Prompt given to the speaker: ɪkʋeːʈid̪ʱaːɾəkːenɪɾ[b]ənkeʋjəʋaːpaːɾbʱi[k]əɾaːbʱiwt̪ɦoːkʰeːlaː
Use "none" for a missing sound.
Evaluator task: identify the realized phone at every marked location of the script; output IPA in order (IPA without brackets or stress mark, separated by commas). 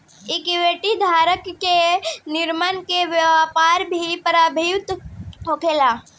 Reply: m, p